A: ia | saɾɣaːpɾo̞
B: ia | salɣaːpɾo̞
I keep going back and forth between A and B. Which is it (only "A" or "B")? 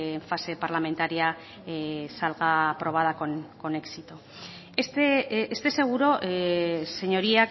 B